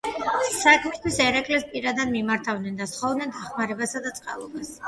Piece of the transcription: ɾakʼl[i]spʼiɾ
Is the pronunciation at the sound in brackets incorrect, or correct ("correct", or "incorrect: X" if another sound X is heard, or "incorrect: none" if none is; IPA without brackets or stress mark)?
incorrect: ɛ